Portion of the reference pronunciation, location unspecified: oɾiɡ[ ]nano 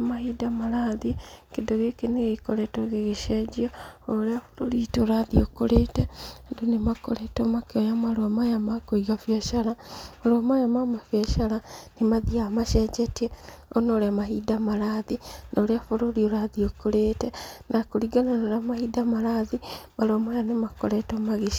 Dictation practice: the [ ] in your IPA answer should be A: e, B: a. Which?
B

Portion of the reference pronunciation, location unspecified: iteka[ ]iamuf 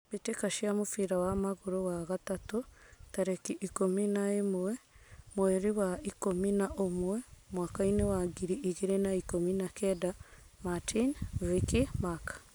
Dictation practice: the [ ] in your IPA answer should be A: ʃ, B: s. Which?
A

